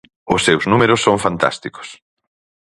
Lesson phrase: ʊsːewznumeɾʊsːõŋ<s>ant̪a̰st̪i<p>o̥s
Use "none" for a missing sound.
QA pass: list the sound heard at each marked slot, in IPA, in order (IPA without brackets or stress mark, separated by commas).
f, k